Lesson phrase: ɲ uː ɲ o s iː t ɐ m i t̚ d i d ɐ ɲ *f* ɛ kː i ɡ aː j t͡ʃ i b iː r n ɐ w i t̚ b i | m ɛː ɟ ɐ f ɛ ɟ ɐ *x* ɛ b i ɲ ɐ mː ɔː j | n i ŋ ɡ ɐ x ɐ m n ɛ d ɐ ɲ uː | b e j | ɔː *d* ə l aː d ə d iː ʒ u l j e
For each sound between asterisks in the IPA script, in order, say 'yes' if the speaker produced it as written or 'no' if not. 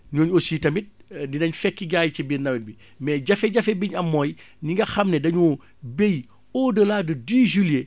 yes, no, yes

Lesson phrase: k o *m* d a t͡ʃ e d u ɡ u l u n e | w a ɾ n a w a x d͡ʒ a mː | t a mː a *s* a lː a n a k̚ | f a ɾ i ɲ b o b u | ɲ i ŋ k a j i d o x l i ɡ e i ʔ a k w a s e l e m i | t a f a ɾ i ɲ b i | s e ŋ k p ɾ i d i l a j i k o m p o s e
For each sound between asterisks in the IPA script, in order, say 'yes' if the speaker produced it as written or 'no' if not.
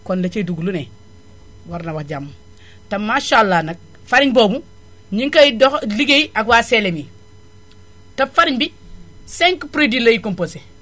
no, no

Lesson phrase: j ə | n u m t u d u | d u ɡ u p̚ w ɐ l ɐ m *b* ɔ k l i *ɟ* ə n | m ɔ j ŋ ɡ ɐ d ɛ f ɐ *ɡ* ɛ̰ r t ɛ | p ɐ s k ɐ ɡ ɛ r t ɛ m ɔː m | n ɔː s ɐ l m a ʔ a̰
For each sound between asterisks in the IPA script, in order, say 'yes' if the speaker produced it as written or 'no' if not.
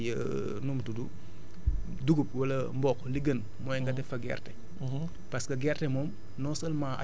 yes, no, yes

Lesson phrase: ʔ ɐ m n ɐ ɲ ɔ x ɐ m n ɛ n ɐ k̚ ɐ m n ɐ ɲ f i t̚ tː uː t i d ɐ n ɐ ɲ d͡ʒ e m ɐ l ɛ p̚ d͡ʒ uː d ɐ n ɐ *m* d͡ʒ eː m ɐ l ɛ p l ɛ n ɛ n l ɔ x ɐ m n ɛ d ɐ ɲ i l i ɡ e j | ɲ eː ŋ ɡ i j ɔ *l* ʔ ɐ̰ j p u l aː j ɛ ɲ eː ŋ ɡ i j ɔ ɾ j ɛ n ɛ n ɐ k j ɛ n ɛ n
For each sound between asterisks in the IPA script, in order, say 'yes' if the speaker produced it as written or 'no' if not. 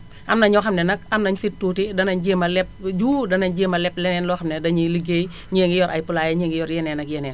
no, no

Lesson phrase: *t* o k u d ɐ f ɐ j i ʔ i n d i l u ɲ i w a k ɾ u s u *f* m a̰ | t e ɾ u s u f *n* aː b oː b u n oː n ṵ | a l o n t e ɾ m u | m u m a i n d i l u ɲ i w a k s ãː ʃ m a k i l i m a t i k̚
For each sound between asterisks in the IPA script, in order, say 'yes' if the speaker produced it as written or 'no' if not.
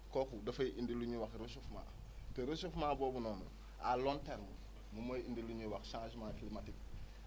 no, yes, no

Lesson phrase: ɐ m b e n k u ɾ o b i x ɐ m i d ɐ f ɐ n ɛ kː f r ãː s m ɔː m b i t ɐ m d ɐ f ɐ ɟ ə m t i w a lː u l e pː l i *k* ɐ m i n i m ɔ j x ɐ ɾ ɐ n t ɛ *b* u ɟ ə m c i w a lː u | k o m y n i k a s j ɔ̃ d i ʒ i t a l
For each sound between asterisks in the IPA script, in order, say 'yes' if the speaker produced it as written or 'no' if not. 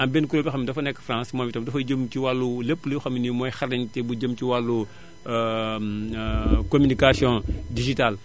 no, yes

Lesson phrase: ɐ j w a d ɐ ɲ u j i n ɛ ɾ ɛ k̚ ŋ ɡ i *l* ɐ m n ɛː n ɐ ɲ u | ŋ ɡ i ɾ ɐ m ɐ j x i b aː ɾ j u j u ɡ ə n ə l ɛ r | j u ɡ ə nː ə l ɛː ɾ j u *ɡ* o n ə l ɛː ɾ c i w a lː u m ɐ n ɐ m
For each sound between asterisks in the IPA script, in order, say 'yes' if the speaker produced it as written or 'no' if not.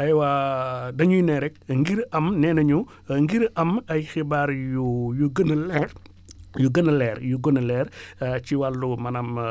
no, yes

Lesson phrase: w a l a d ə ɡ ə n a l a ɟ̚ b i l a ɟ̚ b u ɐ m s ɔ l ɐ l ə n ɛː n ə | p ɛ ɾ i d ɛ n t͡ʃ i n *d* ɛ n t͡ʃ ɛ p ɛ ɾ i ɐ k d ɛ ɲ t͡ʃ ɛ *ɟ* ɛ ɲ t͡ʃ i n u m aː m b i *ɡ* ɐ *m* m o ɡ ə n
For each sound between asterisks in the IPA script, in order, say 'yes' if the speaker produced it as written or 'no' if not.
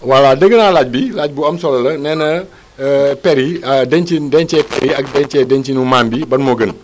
yes, no, no, no

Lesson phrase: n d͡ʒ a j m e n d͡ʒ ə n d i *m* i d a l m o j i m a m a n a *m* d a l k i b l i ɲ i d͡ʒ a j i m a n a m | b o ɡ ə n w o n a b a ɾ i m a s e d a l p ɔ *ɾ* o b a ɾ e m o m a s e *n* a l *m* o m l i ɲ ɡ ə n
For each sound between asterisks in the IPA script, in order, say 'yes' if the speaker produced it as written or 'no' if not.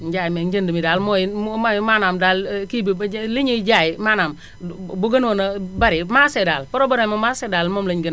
yes, yes, yes, no, yes

